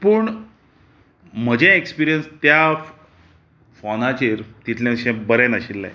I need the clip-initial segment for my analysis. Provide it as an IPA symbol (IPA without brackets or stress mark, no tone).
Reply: p